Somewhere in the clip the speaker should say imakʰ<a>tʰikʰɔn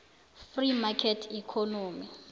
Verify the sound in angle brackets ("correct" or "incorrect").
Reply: incorrect